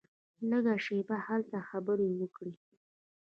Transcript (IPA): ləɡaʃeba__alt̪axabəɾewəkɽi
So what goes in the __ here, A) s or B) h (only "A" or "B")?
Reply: B